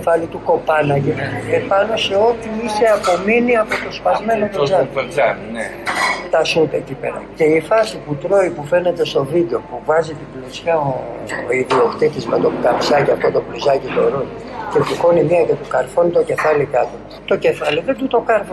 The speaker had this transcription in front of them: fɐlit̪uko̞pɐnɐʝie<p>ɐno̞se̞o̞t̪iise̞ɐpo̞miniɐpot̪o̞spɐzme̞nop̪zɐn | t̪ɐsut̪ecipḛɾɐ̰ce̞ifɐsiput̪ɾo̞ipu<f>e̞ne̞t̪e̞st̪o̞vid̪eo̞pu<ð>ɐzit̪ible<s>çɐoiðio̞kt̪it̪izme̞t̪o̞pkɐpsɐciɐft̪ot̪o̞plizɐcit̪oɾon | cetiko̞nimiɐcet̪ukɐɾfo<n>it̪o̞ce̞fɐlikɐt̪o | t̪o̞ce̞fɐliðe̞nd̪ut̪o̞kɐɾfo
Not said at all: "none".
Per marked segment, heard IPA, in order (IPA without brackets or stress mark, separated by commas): p, f, v, s, n